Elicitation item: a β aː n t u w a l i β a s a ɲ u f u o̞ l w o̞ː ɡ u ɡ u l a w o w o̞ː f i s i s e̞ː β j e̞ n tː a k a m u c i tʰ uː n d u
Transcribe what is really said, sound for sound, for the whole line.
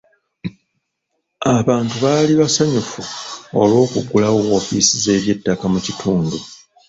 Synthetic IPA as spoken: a β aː n t u β a l i β a s a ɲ u f u o̞ l w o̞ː k u ɡ u l a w o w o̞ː f i s i z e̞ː β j e̞ tː a k a m u c i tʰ uː n d u

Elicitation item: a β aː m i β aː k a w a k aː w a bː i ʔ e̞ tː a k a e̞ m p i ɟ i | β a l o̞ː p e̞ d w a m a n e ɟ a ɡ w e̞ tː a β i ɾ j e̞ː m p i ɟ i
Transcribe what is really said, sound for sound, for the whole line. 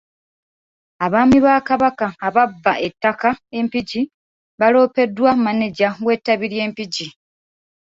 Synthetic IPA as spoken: a β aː m i β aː k a β a k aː β a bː a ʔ e̞ tː a k a e̞ m p i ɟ i | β a l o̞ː p e̞ d w a m a n e ɟ a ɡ w e̞ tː a β i ɾ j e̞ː m p i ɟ i

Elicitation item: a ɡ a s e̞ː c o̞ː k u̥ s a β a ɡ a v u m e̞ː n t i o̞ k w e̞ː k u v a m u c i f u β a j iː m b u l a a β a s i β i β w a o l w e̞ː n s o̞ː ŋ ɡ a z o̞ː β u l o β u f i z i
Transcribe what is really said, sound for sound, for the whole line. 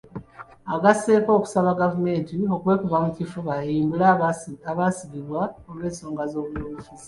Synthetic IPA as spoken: a ɡ a s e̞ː k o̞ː k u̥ s a β a ɡ a v u m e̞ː n t i o̞ k w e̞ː k u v a m u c i f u β a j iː m b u l a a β a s i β i β w a o l w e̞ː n s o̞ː ŋ ɡ a z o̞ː β u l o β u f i z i

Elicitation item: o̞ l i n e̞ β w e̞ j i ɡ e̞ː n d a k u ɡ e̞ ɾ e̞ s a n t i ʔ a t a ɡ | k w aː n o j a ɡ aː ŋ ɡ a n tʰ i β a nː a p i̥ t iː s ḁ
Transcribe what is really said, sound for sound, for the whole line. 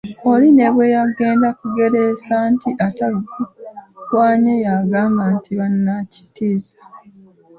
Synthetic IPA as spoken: o̞ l i n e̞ β w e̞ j a ɡ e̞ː n d a k u ɡ e̞ ɾ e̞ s a n t i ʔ a t a ɡ | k w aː ɲ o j a ɡ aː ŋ ɡ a n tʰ i β a nː a c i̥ t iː z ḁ

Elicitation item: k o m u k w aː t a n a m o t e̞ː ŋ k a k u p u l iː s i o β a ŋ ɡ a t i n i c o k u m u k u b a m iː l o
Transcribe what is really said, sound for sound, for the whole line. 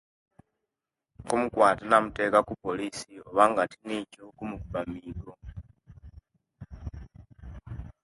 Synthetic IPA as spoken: k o m u k w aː t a n a m u t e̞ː k a k u p o l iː s i o β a ŋ ɡ a t i n i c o k u m u k u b a m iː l o

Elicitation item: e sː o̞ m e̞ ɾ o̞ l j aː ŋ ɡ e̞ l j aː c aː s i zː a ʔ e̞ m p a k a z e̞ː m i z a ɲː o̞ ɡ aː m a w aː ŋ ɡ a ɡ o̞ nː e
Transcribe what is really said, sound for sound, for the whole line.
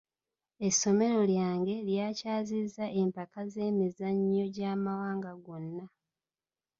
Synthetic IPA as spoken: e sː o̞ m e̞ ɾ o̞ l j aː ŋ ɡ e̞ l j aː c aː z i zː a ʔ e̞ m p a k a z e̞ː m i z a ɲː o̞ ɟ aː m a w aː ŋ ɡ a ɡ o̞ nː a

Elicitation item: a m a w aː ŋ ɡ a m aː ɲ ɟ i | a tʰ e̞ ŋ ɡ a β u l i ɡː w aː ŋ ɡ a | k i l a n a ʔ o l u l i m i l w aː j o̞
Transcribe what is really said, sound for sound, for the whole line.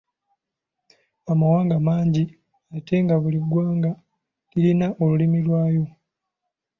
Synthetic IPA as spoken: a m a w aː ŋ ɡ a m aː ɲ ɟ i | a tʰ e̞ ŋ ɡ a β u l i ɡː w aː ŋ ɡ a | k i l i n a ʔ o l u l i m i l w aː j o̞

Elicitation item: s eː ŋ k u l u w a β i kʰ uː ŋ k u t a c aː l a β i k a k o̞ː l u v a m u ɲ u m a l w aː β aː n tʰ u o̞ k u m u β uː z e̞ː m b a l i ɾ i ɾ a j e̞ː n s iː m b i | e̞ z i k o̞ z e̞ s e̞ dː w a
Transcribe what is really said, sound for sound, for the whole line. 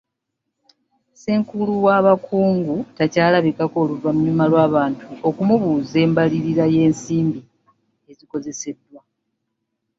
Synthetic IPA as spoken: s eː ŋ k u l u w a β a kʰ uː ŋ ɡ u t a c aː l a β i k a k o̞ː l u v a m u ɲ u m a l w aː β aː n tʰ u o̞ k u m u β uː z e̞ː m b a l i ɾ i ɾ a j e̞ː n s iː m b i | e̞ z i k o̞ z e̞ s e̞ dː w a

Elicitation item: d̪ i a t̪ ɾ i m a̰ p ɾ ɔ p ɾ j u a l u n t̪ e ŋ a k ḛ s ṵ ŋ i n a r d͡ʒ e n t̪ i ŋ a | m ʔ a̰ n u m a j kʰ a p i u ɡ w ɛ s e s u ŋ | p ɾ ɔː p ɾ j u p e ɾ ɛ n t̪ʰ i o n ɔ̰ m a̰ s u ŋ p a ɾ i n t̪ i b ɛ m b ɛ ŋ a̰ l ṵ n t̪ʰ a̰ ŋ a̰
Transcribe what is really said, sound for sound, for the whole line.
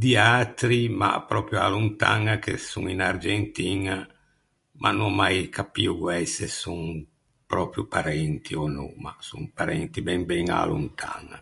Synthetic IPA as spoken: d̪ i a t̪ ɾ i m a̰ p ɾ ɔ p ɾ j u a l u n t̪ a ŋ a k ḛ s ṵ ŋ i n a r d͡ʒ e n t̪ i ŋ a | m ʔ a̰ n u m a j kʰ a p i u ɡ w ɛ s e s u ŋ | p ɾ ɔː p ɾ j u p a ɾ ɛ n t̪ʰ i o n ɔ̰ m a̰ s u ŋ p a ɾ ɛ n t̪ i b ɛ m b ɛ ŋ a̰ l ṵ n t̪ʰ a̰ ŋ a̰

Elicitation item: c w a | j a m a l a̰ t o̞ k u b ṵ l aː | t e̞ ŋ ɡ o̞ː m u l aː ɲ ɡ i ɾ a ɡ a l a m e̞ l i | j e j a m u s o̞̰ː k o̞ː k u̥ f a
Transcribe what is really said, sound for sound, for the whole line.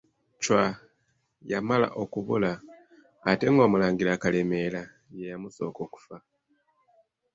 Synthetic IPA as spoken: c w a | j a m a l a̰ ʔ o̞ k u β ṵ l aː | t e̞ ŋ ɡ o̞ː m u l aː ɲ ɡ i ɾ a k a l e m e̞ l a | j e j a m u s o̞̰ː k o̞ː k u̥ f a

